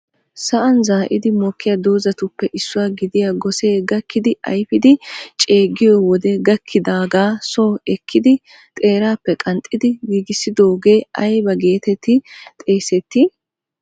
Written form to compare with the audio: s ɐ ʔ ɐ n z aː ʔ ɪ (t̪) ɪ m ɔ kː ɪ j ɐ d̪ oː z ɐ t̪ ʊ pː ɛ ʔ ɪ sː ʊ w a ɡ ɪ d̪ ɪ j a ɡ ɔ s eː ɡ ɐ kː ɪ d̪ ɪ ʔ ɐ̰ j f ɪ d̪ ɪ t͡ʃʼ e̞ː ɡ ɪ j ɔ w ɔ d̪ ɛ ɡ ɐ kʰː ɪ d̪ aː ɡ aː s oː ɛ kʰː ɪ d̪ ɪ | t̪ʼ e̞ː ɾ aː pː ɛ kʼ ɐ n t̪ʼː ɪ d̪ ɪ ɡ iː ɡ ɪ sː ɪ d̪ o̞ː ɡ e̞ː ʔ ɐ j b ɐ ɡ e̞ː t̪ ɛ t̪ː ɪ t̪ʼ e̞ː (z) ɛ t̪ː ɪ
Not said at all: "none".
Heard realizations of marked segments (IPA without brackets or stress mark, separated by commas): d̪, s